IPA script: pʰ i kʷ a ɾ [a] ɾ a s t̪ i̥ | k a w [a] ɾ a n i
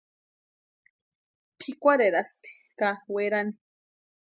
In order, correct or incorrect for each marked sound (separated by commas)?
incorrect, incorrect